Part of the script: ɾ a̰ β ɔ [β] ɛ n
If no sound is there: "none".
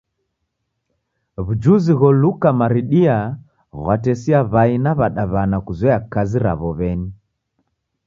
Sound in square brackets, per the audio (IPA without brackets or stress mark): β